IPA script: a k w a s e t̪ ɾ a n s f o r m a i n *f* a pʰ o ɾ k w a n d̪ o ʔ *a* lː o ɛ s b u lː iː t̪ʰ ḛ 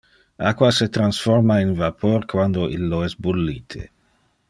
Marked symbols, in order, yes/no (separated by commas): no, no